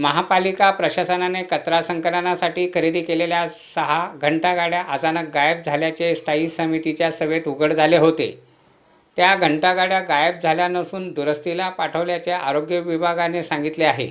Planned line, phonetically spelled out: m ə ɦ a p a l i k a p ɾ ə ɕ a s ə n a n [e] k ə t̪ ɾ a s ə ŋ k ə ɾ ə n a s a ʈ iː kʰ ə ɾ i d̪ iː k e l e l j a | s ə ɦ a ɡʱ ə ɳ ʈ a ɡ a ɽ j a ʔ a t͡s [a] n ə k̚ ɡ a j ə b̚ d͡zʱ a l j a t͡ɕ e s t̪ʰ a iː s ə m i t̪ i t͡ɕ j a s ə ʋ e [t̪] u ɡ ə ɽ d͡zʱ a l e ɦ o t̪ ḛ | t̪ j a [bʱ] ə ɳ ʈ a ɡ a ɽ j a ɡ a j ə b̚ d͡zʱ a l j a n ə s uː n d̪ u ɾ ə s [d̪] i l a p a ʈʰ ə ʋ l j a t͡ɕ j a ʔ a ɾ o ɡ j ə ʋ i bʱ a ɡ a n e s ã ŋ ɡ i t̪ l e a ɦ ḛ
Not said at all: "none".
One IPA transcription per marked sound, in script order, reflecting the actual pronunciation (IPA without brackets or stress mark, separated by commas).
e, a, t̪, ɡʱ, t̪